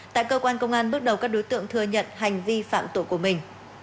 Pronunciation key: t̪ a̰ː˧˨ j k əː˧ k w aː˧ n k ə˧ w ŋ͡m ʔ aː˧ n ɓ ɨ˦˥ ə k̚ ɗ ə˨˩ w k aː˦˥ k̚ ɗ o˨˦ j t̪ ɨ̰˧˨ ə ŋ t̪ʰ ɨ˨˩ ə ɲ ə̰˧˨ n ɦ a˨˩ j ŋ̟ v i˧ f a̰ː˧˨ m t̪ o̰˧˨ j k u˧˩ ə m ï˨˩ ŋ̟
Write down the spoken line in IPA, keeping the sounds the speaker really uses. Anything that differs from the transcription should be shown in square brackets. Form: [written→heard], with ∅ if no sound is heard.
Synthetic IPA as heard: t̪ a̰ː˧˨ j k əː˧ k w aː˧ n k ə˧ w ŋ͡m ʔ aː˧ n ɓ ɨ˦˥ ə k̚ ɗ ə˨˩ w k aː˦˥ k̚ ɗ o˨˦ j t̪ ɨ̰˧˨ ə ŋ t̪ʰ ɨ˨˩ ə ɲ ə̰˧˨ n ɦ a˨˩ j ŋ̟ v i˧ f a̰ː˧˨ m t̪ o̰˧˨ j k u˧˩ ə m ï˨˩ ŋ̟